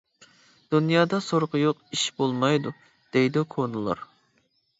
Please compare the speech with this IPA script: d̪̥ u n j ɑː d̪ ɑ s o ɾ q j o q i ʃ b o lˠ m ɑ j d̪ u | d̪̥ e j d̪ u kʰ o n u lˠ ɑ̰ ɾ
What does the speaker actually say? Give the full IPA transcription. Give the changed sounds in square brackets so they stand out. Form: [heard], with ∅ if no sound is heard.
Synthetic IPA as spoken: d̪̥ u n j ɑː d̪ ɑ s o ɾ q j o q i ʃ b o lˠ m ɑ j d̪ u | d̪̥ e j d̪ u kʰ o n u lˠ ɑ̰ ɾ